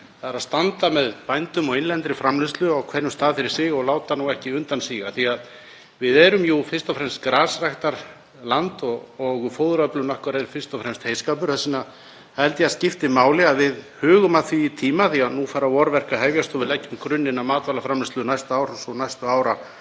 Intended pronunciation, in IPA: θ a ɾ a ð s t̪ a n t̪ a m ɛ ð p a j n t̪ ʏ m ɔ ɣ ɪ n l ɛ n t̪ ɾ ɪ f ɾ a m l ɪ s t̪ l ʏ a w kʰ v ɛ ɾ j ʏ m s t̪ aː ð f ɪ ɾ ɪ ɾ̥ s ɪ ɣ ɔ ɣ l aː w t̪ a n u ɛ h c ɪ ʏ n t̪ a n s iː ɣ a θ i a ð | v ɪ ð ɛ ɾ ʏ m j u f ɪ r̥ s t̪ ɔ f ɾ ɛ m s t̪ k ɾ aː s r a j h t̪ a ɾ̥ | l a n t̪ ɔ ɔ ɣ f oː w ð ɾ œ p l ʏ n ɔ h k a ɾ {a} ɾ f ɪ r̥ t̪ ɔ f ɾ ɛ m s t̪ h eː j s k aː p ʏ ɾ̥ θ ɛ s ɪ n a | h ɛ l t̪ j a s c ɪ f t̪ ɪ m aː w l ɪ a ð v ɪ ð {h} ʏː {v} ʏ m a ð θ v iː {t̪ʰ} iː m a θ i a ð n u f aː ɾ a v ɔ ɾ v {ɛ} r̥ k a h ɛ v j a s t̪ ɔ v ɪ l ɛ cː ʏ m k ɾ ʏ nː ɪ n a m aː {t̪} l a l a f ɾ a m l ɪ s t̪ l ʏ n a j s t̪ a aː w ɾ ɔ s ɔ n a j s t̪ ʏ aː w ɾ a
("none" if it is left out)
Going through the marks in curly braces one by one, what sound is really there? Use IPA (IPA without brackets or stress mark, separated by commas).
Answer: ɛ, h, ɣ, t̪ʰ, ɛ, t̪